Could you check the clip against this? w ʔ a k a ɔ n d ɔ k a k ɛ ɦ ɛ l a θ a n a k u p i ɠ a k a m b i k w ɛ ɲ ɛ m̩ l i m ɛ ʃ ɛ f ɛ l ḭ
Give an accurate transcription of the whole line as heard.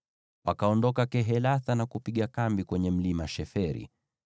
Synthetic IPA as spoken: w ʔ a k a ɔ n d ɔ k a k ɛ ɦ ɛ l a θ a n a k u p i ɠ a k a m b i k w ɛ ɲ ɛ m̩ l i m a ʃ ɛ f ɛ ɾ ḭ

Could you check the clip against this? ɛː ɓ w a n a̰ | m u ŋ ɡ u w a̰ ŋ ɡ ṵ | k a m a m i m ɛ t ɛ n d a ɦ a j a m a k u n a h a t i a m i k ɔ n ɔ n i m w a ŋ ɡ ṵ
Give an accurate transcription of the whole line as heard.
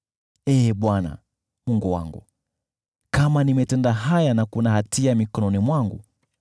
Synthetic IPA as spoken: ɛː ɓ w a n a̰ | m u ŋ ɡ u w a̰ ŋ ɡ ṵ | k a m a n i m ɛ t ɛ n d a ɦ a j a n a k u n a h a t i a m i k ɔ n ɔ n i m w a ŋ ɡ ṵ

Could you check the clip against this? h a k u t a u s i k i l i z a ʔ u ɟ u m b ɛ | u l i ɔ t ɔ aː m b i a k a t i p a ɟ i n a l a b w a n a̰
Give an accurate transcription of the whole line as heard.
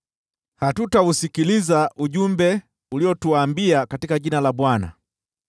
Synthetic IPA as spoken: h a t u t a u s i k i l i z a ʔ u ɟ u m b ɛ | u l i ɔ t u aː m b i a k a t i k a ɟ i n a l a b w a n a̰

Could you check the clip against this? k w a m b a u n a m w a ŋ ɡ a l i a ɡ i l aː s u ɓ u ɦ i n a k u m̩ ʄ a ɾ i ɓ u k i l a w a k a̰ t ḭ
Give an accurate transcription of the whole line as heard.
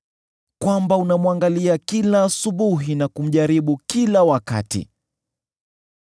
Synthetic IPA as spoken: k w a m b a u n a m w a ŋ ɡ a l i a k i l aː s u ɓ u ɦ i n a k u m̩ ʄ a ɾ i ɓ u k i l a w a k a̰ t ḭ

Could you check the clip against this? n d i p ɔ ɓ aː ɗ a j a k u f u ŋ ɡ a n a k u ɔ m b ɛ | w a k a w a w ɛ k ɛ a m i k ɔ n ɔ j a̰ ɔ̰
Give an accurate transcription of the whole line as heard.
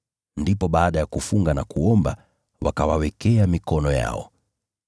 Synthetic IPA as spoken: n d i p ɔ ɓ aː ɗ a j a k u f u ŋ ɡ a n a k u ɔ m b a | w a k a w a w ɛ k ɛ a m i k ɔ n ɔ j a̰ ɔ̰

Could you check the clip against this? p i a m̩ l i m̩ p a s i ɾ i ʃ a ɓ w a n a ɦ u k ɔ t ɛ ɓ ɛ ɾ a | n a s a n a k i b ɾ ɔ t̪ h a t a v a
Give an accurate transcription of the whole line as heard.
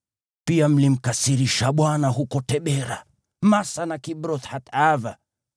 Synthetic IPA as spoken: p i a m̩ l i m̩ k a s i ɾ i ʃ a ɓ w a n a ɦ u k ɔ t ɛ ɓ ɛ ɾ a | m a s a n a k i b ɾ ɔ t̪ h a t a v a

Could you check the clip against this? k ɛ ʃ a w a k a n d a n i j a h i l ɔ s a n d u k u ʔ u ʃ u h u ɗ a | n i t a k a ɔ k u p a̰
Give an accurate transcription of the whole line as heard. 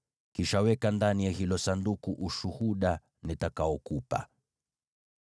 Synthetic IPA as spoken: k i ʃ a w ɛ k a n d a n i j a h i l ɔ s a n d u k u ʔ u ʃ u h u ɗ a | n i t a k a ɔ k u p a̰

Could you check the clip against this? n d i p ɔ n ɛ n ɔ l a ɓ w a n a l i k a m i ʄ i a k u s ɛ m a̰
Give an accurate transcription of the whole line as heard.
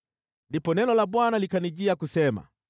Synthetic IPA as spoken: n d i p ɔ n ɛ n ɔ l a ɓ w a n a l i k a n i ʄ i a k u s ɛ m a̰

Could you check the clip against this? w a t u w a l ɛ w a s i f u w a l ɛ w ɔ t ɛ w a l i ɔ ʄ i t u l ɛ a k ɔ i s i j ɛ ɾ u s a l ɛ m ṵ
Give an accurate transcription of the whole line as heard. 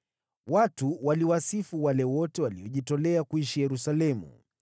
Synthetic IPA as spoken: w a t u w a l i w a s i f u w a l ɛ w ɔ t ɛ w a l i ɔ ʄ i t ɔ l ɛ a k u i ʃ i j ɛ ɾ u s a l ɛ m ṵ

